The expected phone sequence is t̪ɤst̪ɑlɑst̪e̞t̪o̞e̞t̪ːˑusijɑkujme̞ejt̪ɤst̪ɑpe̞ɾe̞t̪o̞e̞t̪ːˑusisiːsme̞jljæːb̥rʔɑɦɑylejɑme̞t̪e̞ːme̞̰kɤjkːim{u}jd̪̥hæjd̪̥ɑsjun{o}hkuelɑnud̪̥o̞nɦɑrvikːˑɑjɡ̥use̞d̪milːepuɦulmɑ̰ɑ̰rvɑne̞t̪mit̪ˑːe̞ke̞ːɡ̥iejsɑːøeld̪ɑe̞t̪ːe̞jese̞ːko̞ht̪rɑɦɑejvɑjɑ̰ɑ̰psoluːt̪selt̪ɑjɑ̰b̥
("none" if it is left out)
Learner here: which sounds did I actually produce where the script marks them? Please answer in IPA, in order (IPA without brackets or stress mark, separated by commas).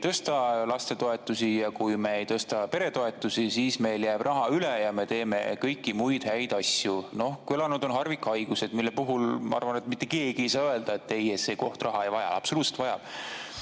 u, o